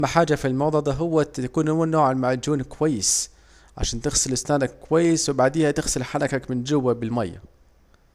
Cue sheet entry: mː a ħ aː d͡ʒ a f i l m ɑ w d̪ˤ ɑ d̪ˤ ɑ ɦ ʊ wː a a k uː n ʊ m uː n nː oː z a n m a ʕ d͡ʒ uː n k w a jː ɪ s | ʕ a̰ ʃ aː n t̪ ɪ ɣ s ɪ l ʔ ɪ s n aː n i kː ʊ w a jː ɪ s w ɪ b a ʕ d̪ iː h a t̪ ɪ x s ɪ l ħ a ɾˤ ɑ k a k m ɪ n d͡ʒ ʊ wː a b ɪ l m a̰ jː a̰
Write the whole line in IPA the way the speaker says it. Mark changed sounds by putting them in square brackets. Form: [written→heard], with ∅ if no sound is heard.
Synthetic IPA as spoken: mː a ħ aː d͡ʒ a f i l m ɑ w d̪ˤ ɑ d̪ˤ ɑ ɦ ʊ wː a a k uː n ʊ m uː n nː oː [z→ʕ] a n m a ʕ d͡ʒ uː n k w a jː ɪ s | ʕ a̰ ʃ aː n t̪ ɪ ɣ s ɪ l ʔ ɪ s n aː n [i→a] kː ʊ w a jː ɪ s w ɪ b a ʕ d̪ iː h a t̪ ɪ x s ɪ l ħ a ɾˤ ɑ k a k m ɪ n d͡ʒ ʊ wː a b ɪ l m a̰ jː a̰